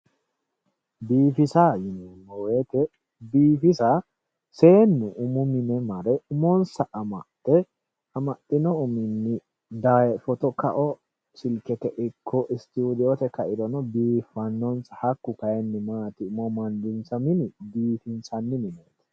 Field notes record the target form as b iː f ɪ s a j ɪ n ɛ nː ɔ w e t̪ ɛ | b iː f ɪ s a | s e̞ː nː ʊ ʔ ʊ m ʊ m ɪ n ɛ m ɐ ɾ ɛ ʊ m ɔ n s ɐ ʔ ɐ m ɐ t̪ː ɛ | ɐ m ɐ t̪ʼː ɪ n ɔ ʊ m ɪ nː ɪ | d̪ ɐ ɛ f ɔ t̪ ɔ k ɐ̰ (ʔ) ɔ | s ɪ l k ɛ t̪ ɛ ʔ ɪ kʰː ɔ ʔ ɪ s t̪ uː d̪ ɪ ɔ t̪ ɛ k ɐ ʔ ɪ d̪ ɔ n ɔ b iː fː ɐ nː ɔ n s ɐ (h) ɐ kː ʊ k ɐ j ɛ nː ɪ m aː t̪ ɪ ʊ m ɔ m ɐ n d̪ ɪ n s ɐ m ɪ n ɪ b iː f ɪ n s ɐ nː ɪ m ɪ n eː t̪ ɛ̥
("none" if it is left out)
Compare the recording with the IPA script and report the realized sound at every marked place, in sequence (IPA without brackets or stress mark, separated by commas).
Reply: ʔ, h